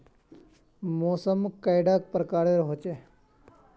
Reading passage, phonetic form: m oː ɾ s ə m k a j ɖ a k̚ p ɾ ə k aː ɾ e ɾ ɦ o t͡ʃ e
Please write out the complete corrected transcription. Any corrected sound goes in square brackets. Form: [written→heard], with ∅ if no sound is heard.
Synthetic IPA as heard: m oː [ɾ→∅] s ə m k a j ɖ a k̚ p ɾ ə k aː ɾ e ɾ ɦ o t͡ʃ e